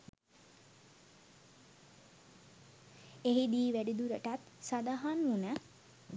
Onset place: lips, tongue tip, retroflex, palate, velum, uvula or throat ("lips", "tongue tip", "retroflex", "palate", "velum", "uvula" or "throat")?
throat